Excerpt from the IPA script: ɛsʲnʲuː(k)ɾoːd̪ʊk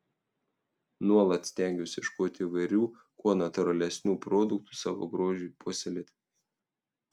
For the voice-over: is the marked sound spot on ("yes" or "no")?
no